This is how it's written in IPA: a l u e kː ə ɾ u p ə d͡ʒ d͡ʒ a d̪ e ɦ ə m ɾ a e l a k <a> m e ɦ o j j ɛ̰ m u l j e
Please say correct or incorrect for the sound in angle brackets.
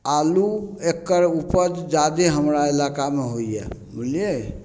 correct